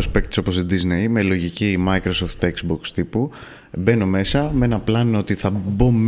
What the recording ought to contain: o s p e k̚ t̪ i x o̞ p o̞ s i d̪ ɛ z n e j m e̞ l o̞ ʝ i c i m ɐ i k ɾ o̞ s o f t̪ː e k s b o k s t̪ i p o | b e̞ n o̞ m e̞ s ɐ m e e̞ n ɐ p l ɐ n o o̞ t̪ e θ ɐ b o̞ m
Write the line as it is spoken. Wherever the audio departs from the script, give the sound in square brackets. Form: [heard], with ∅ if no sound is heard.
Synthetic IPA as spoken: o s p e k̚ t̪ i [s] o̞ p o̞ s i d̪ [i] z n e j m e̞ l o̞ ʝ i c i m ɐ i k ɾ o̞ s o f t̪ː e k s b o k s t̪ i p [u] | b e̞ n o̞ m e̞ s ɐ m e e̞ n ɐ p l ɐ n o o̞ t̪ [i] θ ɐ b o̞ m